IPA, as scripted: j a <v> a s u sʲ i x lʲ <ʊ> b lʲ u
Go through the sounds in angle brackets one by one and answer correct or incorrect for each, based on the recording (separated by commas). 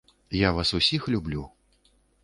correct, incorrect